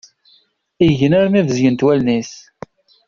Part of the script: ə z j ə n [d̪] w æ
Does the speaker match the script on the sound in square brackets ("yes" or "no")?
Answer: no